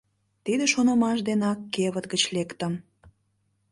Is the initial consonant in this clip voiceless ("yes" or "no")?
yes